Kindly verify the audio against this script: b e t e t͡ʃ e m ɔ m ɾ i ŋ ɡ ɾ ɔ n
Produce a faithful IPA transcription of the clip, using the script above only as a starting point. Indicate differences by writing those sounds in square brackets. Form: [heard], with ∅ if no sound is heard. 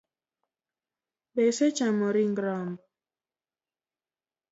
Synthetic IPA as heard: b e [s] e t͡ʃ [a] m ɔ [∅] ɾ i ŋ ɡ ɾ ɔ [m]